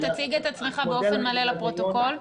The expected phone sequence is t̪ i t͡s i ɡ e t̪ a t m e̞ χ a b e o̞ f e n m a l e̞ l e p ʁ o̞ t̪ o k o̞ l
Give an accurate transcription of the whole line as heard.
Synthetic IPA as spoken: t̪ a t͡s i ɡ e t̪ a t͡s m e̞ χ a b e o̞ f e n m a l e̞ l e p ʁ o̞ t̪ o k o̞ l